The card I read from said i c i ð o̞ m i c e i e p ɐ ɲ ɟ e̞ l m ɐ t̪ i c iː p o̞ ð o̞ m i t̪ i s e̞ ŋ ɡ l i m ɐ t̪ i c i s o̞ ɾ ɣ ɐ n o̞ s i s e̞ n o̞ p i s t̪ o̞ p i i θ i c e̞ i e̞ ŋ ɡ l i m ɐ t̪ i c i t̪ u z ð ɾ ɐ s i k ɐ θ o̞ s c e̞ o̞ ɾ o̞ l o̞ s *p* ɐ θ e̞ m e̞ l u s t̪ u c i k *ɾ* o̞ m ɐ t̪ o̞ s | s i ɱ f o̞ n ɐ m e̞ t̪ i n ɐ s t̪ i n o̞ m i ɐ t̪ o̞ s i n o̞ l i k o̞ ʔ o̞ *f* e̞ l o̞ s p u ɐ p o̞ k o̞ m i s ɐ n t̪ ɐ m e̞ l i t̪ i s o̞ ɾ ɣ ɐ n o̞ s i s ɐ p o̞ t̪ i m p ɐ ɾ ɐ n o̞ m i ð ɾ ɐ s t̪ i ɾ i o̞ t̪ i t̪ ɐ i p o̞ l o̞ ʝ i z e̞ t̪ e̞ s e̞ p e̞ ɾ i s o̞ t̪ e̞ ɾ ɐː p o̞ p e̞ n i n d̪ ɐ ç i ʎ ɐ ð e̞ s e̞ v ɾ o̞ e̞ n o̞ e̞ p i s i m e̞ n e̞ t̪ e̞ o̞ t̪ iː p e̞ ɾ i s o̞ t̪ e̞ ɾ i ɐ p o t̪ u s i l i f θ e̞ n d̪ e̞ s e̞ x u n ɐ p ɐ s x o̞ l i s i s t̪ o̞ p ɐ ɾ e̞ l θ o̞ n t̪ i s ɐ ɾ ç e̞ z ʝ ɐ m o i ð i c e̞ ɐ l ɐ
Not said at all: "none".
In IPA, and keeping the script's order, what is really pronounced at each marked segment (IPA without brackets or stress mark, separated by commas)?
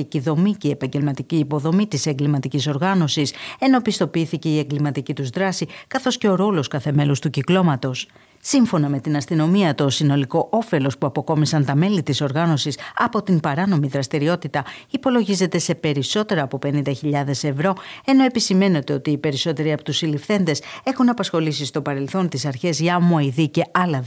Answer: k, l, f